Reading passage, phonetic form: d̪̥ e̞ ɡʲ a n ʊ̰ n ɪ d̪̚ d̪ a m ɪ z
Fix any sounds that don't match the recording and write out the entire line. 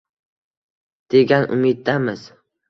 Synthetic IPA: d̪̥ e̞ ɡʲ a n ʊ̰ m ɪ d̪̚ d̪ a m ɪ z